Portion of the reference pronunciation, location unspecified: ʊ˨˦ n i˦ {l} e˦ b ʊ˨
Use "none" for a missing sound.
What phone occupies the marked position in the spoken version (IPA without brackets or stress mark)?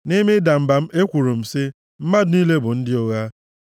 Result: l